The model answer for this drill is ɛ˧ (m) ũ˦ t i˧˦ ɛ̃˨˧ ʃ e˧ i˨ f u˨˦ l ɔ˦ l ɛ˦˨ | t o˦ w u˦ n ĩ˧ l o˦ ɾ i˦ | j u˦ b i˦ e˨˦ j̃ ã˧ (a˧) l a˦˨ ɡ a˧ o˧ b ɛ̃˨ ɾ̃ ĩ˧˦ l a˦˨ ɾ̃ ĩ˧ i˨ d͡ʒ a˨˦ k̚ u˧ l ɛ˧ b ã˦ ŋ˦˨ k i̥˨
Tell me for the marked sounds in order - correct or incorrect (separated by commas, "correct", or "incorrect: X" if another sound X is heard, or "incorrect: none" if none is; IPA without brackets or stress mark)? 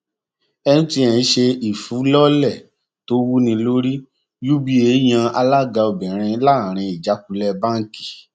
incorrect: n, correct